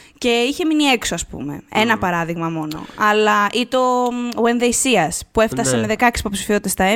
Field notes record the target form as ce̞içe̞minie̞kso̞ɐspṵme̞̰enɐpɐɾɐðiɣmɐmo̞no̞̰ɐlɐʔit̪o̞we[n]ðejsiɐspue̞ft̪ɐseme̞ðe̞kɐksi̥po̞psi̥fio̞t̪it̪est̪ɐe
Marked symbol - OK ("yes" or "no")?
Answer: yes